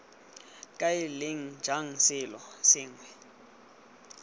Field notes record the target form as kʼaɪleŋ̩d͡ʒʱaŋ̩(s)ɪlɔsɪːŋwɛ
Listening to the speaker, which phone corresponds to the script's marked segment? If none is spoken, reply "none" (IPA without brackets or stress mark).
s